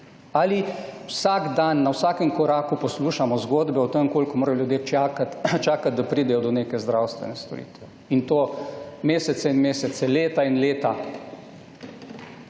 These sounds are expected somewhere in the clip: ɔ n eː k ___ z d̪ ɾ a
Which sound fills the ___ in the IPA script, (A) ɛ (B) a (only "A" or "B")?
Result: A